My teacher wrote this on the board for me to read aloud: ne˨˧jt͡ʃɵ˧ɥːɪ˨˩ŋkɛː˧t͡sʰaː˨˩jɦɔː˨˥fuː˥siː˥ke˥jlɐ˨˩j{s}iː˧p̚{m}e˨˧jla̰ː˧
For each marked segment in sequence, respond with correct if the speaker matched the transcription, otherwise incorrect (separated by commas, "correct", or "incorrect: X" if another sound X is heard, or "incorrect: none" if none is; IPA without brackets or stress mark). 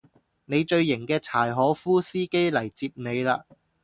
incorrect: t͡s, incorrect: n